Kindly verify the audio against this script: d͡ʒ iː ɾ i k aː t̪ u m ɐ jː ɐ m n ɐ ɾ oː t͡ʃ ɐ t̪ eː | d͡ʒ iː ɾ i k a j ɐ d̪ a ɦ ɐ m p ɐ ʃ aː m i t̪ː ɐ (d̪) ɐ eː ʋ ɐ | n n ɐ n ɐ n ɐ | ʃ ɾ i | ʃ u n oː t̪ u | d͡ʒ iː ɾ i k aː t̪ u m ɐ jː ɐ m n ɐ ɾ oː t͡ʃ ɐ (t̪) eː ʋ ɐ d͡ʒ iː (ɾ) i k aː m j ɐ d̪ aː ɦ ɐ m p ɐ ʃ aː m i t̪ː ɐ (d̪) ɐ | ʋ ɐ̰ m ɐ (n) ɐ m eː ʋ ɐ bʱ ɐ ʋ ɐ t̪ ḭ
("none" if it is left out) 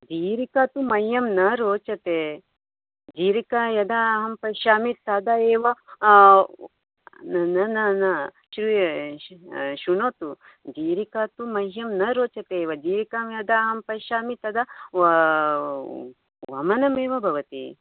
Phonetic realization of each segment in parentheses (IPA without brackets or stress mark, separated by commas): d̪, t̪, ɾ, d̪, n